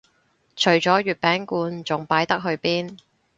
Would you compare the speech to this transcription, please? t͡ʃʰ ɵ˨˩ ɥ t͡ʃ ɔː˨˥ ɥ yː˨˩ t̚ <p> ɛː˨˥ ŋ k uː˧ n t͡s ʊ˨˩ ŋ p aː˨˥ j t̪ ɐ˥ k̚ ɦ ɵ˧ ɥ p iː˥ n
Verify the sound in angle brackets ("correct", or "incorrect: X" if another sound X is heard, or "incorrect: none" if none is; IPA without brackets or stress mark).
correct